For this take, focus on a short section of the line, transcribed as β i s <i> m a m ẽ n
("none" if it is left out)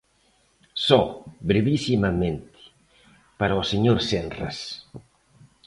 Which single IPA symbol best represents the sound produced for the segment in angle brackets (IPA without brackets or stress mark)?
i